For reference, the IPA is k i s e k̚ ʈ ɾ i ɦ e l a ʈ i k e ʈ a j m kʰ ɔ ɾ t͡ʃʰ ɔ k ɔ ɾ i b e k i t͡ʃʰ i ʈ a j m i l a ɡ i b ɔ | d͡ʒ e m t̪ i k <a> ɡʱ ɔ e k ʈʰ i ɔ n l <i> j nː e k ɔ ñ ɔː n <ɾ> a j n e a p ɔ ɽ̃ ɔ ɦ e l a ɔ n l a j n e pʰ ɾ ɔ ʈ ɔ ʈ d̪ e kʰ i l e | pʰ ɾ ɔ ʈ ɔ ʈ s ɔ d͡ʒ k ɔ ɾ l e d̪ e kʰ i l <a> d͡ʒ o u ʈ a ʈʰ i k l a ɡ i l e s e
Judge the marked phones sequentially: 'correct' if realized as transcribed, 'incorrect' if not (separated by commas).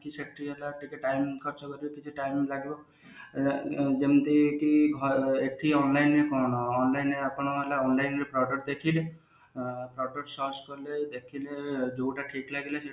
incorrect, incorrect, incorrect, incorrect